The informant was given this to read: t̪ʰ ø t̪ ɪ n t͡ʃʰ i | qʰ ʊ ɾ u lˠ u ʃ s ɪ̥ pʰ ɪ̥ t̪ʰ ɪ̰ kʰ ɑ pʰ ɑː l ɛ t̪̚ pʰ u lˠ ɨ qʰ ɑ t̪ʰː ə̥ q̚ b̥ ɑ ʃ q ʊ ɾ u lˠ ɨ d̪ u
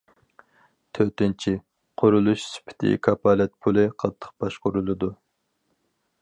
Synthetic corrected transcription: t̪ʰ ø t̪ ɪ n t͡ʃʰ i | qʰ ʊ ɾ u lˠ u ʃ s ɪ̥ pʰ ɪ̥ t̪ʰ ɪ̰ kʰ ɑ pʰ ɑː l ɛ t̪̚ pʰ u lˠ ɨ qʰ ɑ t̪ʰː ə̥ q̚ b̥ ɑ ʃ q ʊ ɾ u lˠ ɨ d̪ u

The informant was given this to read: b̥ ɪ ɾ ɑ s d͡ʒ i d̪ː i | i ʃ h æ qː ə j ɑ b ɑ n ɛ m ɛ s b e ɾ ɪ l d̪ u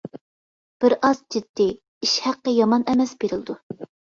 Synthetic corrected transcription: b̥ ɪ ɾ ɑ z d͡ʒ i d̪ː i | i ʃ h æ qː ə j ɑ m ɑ n ɛ m ɛ s b e ɾ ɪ l d̪ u

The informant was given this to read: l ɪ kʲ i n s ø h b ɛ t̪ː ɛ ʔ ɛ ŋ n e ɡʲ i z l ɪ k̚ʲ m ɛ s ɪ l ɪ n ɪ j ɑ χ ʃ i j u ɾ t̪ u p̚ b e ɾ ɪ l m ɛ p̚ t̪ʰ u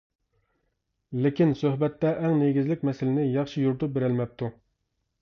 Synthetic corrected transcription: l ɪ kʲ i n s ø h b ɛ t̪ː ɛ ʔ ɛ ŋ n e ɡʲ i z l ɪ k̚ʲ m ɛ s ɪ l ɪ n ɪ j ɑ χ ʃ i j u ɾ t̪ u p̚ b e ɾ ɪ l m ɛ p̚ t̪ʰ u

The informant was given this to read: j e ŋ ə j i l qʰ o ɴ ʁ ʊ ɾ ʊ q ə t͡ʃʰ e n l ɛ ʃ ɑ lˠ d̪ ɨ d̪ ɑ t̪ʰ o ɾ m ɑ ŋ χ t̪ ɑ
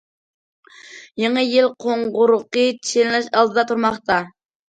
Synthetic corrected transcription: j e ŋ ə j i l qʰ o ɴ ʁ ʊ ɾ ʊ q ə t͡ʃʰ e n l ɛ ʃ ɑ lˠ d̪ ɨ d̪ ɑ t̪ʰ u ɾ m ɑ χ t̪ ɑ

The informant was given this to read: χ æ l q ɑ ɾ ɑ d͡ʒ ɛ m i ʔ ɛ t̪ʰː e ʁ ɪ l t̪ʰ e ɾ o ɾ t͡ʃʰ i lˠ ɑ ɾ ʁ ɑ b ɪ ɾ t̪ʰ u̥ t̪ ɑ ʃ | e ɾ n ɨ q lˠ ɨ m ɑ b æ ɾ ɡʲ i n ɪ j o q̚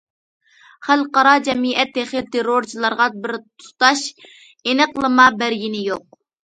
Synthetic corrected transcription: χ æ l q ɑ ɾ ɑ d͡ʒ ɛ m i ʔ ɛ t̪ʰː e χ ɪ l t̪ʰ e ɾ o ɾ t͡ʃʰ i lˠ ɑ ɾ ʁ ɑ b ɪ ɾ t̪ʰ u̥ t̪ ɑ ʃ | e n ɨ q lˠ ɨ m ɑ b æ ɾ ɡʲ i n ɪ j o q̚

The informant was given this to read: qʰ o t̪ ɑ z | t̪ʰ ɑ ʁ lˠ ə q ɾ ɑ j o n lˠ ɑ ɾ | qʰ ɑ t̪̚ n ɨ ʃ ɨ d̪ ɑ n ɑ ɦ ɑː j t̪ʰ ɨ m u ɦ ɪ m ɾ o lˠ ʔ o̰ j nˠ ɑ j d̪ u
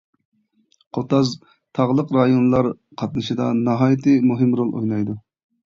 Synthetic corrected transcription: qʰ o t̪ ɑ z | t̪ʰ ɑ ʁ lˠ ə q ɾ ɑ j o n lˠ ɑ ɾ | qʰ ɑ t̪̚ n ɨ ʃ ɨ d̪ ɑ n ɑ ɦ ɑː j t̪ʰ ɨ m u ɦ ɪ m ɾ o lˠ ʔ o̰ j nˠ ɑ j d̪ u

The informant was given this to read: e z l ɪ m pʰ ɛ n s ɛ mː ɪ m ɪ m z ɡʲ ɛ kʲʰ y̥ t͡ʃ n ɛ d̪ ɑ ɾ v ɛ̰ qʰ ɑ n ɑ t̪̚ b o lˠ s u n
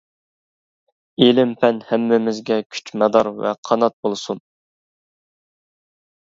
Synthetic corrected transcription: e l ɪ m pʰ ɛ n h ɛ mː ɪ m ɪ z ɡʲ ɛ kʲʰ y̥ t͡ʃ m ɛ d̪ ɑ ɾ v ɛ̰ qʰ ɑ n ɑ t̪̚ b o lˠ s u n

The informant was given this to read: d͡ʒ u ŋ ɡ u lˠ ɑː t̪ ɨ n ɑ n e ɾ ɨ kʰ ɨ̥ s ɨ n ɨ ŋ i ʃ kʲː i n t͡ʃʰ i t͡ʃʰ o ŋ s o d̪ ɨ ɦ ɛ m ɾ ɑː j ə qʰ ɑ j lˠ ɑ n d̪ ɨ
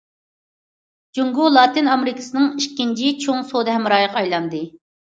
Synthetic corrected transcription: d͡ʒ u ŋ ɡ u lˠ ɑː t̪ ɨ n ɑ m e ɾ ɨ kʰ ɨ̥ s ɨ n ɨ ŋ i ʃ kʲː i n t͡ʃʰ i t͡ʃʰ o ŋ s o d̪ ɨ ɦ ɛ m ɾ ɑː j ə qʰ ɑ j lˠ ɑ n d̪ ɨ

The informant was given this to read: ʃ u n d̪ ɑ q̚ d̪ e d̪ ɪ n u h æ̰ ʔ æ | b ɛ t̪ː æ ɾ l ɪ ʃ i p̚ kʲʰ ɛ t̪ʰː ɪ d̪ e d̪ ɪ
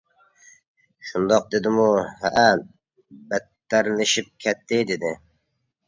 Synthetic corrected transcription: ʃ u n d̪ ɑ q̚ d̪ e d̪ ɪ m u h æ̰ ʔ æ | b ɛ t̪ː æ ɾ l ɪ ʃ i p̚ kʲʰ ɛ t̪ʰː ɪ d̪ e d̪ ɪ

